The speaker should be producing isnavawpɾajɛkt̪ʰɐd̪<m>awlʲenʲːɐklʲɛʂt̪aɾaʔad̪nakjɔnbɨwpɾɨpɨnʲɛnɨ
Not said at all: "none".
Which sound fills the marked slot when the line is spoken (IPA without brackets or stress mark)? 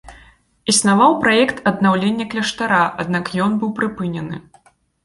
n